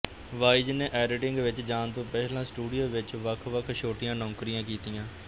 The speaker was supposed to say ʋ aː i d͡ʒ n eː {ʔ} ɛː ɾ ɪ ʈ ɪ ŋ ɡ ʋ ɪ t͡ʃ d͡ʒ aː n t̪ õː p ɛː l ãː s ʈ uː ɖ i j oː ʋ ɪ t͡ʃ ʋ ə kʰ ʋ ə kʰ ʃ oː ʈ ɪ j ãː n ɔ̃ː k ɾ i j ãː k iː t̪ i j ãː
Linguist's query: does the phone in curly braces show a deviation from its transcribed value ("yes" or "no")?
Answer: no